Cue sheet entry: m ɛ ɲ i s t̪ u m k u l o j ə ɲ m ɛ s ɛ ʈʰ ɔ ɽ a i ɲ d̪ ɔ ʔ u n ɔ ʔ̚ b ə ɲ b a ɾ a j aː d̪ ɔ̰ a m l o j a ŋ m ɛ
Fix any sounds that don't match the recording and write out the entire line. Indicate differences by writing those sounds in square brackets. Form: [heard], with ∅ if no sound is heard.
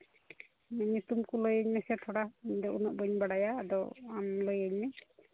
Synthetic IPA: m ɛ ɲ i [∅] t̪ u m k u l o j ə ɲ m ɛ s ɛ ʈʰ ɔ ɽ a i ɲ d̪ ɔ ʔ u n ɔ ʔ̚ b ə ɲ b a [ɽ] a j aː d̪ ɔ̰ a m l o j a [ɲ] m ɛ